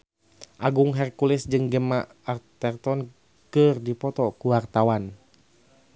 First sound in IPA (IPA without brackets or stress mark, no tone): ʔ